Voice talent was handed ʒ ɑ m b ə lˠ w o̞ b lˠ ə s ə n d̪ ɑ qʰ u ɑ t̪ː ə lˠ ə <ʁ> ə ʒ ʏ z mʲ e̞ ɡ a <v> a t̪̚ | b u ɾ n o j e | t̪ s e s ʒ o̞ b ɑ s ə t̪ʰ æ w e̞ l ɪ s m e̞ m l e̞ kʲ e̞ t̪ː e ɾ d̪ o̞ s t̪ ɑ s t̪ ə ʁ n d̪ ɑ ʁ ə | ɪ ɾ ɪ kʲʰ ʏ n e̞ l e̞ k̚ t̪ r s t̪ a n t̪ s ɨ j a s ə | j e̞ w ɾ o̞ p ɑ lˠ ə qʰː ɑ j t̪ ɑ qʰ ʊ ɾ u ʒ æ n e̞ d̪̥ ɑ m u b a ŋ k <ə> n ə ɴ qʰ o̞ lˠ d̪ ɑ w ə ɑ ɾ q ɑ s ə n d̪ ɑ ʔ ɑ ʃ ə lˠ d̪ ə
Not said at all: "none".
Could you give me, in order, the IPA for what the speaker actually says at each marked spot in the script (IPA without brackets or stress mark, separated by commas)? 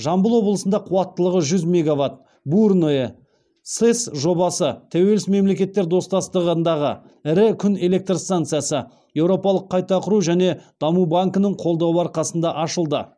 ʁ, v, ə